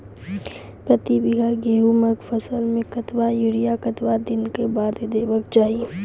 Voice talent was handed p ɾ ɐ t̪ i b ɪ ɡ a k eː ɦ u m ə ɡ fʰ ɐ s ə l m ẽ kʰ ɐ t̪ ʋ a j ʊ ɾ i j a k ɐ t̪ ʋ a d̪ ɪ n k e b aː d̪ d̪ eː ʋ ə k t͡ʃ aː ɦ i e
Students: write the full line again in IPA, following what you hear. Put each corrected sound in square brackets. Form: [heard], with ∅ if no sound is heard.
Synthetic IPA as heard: p ɾ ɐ t̪ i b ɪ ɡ a [ɡ] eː ɦ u m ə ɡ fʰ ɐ s ə l m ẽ [k] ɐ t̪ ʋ a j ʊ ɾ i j a k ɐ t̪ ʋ a d̪ ɪ n k e b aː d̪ d̪ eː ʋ ə k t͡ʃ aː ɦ i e